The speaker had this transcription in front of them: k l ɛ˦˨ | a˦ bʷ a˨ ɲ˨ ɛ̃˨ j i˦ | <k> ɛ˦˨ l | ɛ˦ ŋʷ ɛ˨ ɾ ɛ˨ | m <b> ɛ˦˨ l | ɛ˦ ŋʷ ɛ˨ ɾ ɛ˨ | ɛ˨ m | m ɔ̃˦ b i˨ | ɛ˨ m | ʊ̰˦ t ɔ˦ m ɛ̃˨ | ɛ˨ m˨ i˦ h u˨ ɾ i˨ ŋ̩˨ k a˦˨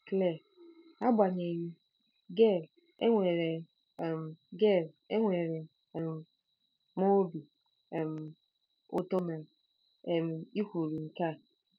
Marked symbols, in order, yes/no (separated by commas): no, no